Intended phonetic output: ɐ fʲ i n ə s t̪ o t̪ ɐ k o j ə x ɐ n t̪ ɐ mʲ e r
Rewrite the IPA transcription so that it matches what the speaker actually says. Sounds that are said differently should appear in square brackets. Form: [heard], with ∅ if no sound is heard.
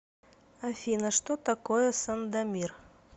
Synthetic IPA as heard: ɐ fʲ i n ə [ʂ] t̪ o t̪ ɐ k o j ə [s] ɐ n [d̪] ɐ mʲ [i] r